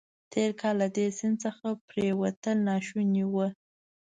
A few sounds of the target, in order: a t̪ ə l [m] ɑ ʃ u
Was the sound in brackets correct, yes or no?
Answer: no